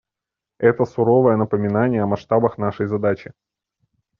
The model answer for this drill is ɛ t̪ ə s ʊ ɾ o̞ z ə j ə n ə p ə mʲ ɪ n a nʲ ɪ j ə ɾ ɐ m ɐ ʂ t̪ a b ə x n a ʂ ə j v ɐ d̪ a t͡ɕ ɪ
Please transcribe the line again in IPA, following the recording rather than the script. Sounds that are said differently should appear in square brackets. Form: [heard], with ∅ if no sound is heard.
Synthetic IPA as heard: ɛ t̪ ə s ʊ ɾ o̞ [v] ə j ə n ə p ə mʲ ɪ n a nʲ ɪ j ə [∅] ɐ m ɐ ʂ t̪ a b ə x n a ʂ ə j [z] ɐ d̪ a t͡ɕ ɪ